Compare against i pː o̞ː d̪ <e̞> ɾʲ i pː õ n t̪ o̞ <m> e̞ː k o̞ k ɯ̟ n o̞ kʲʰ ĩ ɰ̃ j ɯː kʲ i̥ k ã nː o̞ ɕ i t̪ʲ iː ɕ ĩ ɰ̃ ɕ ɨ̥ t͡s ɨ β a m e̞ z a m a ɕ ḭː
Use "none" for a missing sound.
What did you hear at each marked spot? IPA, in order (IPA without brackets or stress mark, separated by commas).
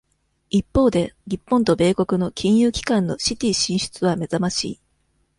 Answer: e̞, b